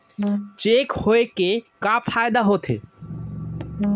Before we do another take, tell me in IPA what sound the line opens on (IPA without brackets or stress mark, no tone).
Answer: t͡ʃ